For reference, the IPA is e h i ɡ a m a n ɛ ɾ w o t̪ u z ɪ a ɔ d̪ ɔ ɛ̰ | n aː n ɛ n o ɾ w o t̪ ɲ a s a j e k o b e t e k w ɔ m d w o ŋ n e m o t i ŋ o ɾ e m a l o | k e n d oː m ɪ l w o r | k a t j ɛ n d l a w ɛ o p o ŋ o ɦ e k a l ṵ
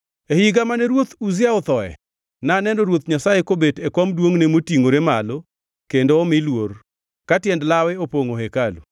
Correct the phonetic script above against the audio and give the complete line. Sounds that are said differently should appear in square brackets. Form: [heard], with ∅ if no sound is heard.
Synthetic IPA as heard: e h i ɡ a m a n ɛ ɾ w o t̪ u z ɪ a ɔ [t̪] ɔ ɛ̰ | n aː n ɛ n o ɾ w o t̪ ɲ a s a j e k o b e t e k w ɔ m d w o ŋ n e m o t i ŋ o ɾ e m a l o | k e n d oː m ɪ l w o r | k a t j ɛ n d l a w ɛ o p o ŋ o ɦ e k a l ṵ

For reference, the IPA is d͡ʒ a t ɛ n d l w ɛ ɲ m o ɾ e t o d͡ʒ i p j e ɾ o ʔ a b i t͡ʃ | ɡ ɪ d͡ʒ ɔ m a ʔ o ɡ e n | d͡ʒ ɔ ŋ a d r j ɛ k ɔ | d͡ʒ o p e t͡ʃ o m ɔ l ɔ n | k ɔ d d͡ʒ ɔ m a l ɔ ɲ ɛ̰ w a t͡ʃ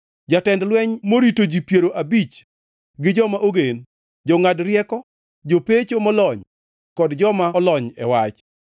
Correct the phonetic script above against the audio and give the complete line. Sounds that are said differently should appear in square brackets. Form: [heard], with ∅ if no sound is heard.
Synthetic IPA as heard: d͡ʒ a t ɛ n d l w ɛ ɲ m o ɾ [i] t o d͡ʒ i p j e ɾ o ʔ a b i t͡ʃ | ɡ ɪ d͡ʒ ɔ m a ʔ o ɡ e n | d͡ʒ ɔ ŋ a d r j ɛ k ɔ | d͡ʒ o p e t͡ʃ o m ɔ l ɔ [ɲ] | k ɔ d d͡ʒ ɔ m a l ɔ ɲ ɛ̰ w a t͡ʃ

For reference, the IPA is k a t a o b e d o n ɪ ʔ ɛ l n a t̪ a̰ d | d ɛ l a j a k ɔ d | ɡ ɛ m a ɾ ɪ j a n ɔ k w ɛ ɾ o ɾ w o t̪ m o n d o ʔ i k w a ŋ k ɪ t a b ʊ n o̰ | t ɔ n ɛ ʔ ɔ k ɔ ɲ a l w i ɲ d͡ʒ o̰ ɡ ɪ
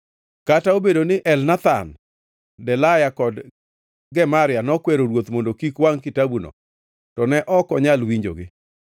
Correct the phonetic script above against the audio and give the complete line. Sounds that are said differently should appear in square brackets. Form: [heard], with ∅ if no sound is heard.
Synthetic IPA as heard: k a t a o b e d o n ɪ ʔ ɛ l n a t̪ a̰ [n] | d ɛ l a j a k ɔ d | ɡ ɛ m a ɾ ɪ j a n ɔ k w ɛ ɾ o ɾ w o t̪ m o n d o [k] i k w a ŋ k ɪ t a b [u] n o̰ | t ɔ n ɛ ʔ ɔ k ɔ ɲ a l w i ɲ d͡ʒ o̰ ɡ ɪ

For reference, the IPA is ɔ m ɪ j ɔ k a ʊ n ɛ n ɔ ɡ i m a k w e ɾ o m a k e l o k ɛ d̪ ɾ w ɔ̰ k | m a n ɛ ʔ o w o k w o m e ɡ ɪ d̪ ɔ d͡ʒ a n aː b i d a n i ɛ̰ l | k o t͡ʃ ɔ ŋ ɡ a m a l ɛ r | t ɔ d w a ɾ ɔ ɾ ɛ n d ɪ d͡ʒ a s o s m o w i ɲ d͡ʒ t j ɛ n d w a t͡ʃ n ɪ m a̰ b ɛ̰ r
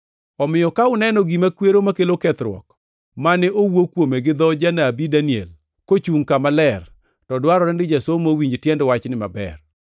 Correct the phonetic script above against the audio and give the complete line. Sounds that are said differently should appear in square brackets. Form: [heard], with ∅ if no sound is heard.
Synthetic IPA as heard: ɔ m ɪ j ɔ k a ʊ n ɛ n ɔ ɡ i m a k w e ɾ o m a k e l o k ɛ [t̪] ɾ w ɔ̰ k | m a n ɛ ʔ o w o k w o m e ɡ ɪ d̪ ɔ d͡ʒ a n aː b i d a n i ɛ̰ l | k o t͡ʃ [u] ŋ [k] a m a l ɛ r | t ɔ d w a ɾ ɔ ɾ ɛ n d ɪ d͡ʒ a s o [∅] m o w i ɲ d͡ʒ t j ɛ n d w a t͡ʃ n ɪ m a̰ b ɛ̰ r

